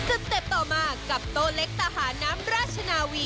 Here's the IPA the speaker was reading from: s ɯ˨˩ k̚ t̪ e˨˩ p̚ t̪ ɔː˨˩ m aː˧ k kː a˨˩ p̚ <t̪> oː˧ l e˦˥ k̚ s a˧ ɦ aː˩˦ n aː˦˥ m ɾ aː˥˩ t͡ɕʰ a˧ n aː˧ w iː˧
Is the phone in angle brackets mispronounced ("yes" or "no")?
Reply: no